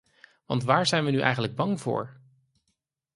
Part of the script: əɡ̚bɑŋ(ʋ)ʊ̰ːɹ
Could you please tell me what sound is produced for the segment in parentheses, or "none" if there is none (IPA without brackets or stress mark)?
v